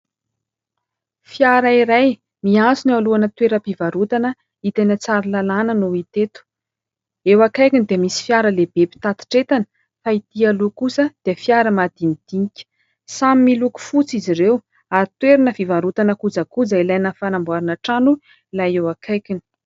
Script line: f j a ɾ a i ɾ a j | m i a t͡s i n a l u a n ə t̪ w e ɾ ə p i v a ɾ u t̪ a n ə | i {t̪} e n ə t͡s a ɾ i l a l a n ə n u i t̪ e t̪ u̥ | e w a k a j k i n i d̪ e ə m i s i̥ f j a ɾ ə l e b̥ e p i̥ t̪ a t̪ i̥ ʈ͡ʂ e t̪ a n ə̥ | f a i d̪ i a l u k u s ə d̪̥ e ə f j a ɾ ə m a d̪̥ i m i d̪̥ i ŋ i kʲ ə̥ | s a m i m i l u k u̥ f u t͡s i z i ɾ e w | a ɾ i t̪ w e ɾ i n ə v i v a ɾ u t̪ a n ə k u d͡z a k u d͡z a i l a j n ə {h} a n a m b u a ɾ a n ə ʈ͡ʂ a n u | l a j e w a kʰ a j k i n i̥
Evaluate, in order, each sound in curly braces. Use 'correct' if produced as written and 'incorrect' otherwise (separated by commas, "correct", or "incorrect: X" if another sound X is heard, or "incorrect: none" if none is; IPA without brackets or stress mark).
correct, incorrect: f